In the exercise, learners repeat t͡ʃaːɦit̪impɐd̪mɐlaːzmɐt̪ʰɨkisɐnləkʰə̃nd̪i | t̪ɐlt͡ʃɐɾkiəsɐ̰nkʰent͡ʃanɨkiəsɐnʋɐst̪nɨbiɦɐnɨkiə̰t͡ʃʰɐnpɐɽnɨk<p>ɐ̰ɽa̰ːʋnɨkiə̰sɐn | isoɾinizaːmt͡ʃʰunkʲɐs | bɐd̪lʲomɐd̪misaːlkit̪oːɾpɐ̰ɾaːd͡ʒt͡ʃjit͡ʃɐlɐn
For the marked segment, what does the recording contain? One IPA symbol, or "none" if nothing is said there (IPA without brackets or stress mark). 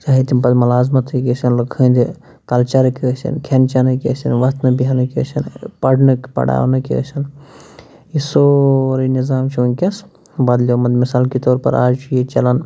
p